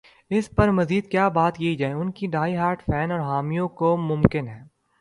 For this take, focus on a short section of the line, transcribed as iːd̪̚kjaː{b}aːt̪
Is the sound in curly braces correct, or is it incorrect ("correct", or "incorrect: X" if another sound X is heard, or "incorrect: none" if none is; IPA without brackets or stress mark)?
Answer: correct